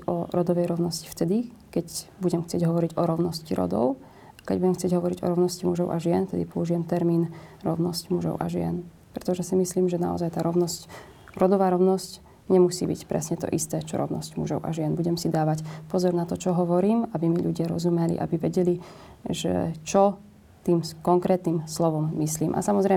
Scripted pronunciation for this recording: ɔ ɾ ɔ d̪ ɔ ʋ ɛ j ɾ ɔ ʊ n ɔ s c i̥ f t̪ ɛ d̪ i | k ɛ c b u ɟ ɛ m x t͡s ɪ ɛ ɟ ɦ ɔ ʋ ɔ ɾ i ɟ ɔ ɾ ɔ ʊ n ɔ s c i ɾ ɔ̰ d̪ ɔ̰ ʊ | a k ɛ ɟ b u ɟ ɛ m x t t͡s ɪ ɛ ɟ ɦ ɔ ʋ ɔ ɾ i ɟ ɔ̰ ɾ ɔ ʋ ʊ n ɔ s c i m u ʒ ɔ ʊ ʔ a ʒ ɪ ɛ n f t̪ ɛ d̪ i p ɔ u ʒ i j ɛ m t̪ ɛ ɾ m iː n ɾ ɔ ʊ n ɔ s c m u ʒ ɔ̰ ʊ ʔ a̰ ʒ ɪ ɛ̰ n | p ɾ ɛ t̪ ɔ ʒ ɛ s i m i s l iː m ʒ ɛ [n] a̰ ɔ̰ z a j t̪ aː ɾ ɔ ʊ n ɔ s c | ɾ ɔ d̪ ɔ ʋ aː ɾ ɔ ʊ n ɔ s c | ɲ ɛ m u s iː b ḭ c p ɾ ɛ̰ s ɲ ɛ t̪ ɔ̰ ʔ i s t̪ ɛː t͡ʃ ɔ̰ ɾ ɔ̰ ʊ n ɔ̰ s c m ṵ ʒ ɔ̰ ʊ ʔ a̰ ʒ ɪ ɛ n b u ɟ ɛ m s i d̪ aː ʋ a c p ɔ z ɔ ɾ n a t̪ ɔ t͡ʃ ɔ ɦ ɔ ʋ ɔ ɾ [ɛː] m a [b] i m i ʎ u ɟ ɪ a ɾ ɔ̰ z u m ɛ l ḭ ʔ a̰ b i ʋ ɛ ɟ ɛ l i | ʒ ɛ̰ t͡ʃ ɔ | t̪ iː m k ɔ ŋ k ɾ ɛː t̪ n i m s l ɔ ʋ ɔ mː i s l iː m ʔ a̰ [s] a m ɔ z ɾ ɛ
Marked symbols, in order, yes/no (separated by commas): yes, no, yes, yes